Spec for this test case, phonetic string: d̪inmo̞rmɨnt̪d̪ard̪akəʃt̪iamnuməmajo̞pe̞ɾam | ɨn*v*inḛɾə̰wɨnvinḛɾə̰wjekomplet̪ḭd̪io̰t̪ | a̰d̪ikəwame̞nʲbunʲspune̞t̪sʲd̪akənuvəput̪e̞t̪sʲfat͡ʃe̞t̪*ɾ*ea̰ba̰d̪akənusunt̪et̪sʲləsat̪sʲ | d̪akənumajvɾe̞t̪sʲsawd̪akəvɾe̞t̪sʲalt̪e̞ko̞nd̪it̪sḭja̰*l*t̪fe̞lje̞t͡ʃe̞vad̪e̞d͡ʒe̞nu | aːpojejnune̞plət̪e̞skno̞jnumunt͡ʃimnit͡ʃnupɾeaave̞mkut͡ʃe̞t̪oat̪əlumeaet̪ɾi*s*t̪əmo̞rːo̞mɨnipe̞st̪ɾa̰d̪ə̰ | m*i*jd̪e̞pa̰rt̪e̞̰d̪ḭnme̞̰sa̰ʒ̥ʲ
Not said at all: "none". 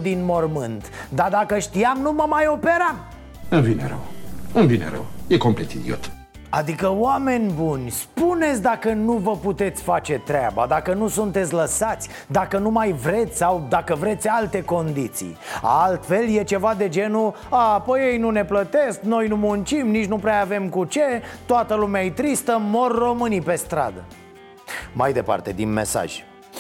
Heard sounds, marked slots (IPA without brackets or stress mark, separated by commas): v, ɾ, l, s, a